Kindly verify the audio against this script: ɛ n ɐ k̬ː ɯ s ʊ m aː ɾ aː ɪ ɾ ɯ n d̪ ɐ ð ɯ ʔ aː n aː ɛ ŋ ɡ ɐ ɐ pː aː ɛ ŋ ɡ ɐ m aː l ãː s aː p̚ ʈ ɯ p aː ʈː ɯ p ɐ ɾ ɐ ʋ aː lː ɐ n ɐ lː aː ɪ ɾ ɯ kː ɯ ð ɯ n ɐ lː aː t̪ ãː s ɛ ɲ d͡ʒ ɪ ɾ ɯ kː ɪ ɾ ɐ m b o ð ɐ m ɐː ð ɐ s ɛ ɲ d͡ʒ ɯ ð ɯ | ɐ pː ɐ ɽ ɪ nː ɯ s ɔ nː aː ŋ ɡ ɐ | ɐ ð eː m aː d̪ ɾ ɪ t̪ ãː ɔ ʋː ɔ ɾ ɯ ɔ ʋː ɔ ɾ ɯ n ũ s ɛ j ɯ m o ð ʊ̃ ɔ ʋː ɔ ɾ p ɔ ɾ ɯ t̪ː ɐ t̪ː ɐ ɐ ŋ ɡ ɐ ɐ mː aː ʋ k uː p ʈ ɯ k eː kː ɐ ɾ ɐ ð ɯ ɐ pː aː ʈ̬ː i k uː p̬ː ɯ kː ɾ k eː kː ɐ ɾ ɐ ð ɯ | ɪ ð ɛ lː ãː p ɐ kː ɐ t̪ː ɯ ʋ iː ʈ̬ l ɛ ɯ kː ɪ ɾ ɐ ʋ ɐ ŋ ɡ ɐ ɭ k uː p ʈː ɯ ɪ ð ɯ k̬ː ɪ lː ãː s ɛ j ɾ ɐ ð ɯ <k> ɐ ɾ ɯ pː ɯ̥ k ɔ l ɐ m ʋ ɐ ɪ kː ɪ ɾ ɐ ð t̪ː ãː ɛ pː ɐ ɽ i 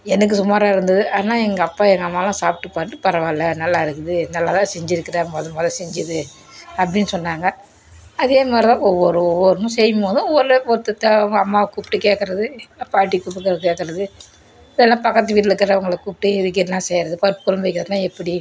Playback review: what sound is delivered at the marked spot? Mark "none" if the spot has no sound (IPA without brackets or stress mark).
p